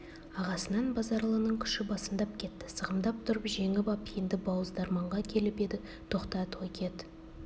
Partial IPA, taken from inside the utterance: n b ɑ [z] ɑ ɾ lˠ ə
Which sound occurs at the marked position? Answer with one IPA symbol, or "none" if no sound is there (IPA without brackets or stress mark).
z